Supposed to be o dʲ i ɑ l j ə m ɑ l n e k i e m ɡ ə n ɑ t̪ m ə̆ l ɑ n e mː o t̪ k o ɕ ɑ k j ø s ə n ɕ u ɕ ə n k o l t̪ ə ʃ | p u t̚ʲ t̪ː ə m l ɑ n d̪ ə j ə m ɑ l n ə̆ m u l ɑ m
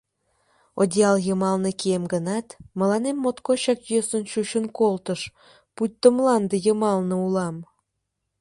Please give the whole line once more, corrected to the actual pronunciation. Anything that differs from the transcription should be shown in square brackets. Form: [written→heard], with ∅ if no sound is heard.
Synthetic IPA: o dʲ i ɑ l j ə m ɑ l n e k i e m ɡ ə n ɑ t̪ m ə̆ l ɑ n e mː o t̪ k o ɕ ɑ k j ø s ə n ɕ u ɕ ə n k o l t̪ ə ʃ | p u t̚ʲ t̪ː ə m l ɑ n d̪ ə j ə m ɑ l n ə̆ [m→∅] u l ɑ m